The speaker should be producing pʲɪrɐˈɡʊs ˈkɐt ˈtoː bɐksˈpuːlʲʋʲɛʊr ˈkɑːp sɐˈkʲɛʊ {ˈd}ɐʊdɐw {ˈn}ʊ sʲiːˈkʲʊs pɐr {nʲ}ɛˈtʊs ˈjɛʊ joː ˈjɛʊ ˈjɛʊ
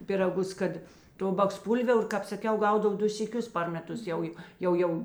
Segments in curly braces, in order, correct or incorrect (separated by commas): incorrect, incorrect, incorrect